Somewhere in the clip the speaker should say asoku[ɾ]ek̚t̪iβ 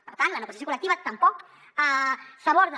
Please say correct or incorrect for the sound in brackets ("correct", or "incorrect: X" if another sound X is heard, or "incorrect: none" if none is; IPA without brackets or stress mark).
incorrect: l